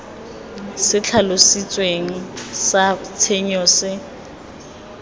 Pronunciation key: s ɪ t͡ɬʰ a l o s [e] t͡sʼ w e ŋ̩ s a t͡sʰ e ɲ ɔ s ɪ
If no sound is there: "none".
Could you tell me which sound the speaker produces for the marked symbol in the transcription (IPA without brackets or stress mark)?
i